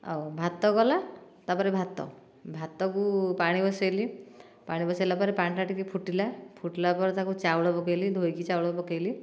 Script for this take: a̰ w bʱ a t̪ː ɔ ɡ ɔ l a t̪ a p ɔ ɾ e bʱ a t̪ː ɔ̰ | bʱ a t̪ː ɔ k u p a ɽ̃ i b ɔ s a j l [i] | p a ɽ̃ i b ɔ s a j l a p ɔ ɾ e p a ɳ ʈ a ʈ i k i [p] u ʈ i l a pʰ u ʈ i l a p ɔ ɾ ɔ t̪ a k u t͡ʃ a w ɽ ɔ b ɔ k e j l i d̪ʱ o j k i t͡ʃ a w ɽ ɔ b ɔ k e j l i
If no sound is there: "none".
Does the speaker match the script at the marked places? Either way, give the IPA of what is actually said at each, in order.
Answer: i, pʰ

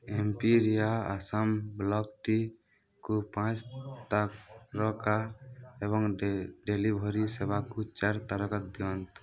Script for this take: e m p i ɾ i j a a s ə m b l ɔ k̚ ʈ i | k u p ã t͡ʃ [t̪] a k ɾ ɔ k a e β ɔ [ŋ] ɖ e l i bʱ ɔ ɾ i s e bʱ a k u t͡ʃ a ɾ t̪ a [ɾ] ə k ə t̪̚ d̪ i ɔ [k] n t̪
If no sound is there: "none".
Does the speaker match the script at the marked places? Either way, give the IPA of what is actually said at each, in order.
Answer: t̪, ŋ, ɾ, none

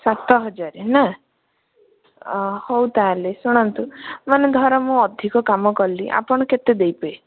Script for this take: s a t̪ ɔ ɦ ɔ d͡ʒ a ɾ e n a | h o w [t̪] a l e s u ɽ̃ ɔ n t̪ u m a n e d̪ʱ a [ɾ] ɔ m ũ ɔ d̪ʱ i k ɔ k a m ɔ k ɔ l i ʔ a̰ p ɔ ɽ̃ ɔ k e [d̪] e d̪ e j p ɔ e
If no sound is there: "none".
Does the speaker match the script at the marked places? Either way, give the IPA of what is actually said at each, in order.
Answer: t̪, ɾ, t̪

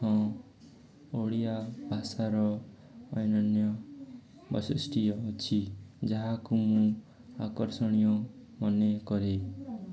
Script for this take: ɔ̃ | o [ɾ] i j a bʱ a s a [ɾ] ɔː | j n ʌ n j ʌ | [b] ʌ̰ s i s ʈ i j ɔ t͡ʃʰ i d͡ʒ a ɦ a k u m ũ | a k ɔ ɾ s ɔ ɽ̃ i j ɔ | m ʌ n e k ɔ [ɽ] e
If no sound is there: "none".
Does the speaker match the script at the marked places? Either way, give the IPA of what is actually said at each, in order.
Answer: ɽ, ɾ, b, ɾ

